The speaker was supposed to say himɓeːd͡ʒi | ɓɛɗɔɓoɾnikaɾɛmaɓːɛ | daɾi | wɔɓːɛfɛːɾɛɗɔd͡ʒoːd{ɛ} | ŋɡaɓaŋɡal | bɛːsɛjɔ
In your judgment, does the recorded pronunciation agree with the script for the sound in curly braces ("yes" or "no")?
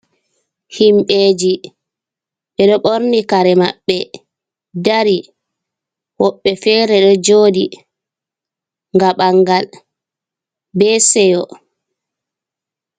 no